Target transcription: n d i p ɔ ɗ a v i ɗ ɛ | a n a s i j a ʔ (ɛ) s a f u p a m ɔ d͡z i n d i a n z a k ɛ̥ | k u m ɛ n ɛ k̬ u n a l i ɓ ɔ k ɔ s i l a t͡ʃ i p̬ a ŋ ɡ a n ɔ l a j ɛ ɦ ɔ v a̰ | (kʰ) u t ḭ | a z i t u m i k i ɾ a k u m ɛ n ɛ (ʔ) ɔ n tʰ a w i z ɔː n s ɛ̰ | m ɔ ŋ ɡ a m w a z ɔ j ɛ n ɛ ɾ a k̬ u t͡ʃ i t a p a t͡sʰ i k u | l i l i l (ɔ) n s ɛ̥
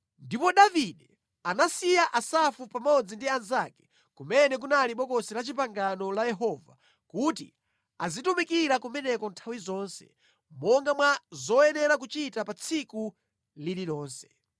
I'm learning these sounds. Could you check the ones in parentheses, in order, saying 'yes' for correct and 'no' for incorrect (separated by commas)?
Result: no, no, no, no